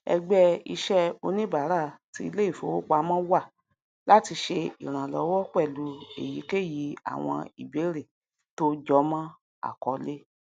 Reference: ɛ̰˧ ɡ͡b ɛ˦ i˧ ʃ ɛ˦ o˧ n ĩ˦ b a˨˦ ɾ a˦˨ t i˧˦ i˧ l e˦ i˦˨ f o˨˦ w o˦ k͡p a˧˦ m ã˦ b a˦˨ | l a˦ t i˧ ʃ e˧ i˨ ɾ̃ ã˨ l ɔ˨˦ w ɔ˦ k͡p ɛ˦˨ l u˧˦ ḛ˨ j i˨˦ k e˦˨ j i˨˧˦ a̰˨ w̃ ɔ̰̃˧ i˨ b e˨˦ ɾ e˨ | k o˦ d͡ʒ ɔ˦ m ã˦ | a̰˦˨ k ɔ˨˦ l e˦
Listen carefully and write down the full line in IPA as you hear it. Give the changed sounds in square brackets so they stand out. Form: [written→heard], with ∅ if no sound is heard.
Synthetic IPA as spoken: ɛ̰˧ ɡ͡b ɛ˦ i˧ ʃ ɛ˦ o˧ n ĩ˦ b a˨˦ ɾ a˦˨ t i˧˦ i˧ l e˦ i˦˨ f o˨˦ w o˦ k͡p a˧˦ m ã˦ [b→w] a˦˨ | l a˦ t i˧ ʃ e˧ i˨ ɾ̃ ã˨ l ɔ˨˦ w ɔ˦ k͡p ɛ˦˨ l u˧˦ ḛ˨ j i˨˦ k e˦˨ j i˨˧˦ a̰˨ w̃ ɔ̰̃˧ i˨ b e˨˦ ɾ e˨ | [k→t] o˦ d͡ʒ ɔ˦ m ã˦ | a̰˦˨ k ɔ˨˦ l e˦

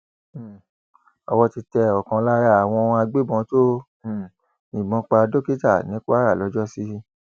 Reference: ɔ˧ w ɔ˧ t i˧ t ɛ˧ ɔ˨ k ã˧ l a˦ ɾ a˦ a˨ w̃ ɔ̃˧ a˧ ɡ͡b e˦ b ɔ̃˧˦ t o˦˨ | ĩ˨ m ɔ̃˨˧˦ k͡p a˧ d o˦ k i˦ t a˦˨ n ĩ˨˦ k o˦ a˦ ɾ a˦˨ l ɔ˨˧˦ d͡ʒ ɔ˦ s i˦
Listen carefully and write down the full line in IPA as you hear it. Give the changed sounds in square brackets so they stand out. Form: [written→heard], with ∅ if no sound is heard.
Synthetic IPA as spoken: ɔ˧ w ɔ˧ t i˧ t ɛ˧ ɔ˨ k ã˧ l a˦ ɾ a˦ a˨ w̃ ɔ̃˧ a˧ ɡ͡b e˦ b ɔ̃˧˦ t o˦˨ | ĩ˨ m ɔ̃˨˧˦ k͡p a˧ d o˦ k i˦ t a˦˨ n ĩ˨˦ k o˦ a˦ ɾ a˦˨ l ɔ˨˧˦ d͡ʒ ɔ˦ s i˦

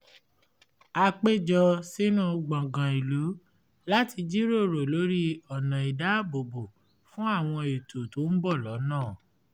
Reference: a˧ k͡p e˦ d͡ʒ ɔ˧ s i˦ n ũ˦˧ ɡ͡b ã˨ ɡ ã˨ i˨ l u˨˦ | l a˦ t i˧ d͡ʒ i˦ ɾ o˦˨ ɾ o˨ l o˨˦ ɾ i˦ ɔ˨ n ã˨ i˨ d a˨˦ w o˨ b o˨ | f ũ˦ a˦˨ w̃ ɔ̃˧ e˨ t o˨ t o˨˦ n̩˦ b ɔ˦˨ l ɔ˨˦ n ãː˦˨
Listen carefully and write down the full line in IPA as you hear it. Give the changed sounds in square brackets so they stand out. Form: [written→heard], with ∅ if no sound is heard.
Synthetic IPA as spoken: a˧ k͡p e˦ d͡ʒ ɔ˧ s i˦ n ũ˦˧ ɡ͡b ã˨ ɡ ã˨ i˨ l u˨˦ | l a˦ t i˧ d͡ʒ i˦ ɾ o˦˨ ɾ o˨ l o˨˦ ɾ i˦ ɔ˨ n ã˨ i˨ d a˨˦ [w→b] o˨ b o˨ | f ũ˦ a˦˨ w̃ ɔ̃˧ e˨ t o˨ t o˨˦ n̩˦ b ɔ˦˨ l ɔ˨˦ n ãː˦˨

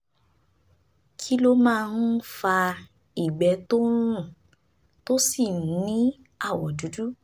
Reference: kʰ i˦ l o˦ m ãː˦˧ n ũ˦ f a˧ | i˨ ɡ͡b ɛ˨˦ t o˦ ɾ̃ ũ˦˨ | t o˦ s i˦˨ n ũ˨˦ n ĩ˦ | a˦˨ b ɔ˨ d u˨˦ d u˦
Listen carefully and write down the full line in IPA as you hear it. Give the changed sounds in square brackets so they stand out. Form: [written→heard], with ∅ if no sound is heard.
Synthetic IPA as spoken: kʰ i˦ l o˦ m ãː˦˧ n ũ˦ f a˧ | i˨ ɡ͡b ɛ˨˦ t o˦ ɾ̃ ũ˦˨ | t o˦ s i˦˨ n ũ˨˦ n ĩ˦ | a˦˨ [b→w] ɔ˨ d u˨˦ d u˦

